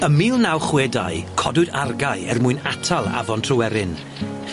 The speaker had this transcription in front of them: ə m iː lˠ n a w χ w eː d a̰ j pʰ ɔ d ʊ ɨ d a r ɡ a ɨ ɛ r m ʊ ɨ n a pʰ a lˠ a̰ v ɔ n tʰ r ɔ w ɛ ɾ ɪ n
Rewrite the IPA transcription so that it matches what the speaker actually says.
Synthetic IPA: ə m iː lˠ n a w χ w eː d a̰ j kʰ ɔ d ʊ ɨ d a r ɡ a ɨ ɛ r m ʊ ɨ n a tʰ a lˠ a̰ v ɔ n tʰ r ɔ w ɛ ɾ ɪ n